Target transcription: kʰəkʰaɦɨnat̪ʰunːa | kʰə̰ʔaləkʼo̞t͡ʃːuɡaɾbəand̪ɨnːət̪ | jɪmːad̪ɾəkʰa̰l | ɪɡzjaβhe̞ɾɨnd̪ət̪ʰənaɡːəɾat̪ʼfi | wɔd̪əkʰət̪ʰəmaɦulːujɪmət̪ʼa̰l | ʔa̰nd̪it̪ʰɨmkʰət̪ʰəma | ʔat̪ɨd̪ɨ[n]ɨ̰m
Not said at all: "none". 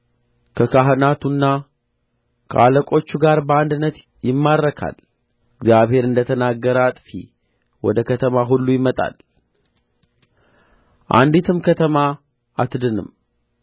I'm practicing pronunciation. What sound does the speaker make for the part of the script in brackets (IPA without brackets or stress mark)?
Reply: n